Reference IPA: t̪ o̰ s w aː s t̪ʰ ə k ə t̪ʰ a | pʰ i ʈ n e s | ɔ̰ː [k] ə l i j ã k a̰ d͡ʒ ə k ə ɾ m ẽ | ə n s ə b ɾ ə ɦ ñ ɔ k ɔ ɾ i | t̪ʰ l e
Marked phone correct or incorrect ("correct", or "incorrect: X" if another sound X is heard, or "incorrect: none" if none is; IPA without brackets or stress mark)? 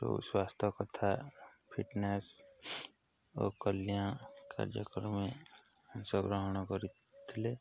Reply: correct